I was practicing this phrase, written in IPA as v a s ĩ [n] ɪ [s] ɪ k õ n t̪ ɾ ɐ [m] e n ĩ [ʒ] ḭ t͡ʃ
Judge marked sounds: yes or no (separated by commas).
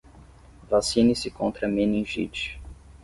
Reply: yes, yes, yes, yes